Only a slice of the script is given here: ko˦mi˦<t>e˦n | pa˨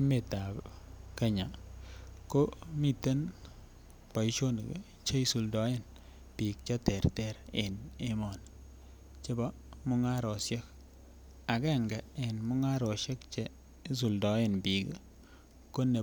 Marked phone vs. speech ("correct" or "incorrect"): correct